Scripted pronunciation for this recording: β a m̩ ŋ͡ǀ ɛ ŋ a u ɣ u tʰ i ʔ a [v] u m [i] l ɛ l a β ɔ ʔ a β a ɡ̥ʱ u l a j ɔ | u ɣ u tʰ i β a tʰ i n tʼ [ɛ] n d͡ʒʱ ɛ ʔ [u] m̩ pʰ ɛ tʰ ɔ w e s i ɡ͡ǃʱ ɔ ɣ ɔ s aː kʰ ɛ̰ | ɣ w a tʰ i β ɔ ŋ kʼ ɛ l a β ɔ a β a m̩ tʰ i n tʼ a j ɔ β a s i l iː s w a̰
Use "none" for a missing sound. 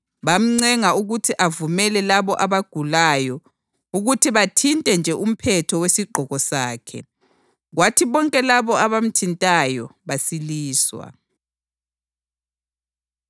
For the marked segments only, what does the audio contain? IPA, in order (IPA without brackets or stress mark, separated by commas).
v, ɛ, ɛ, u